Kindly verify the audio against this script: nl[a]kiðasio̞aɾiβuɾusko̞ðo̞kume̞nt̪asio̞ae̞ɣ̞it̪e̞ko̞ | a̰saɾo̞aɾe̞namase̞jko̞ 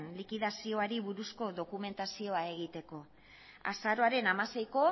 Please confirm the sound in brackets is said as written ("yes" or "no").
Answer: no